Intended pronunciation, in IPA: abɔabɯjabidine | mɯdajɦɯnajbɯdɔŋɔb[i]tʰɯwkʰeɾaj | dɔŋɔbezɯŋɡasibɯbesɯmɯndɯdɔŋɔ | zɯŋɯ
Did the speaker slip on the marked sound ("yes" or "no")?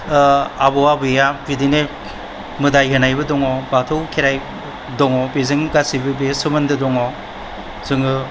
yes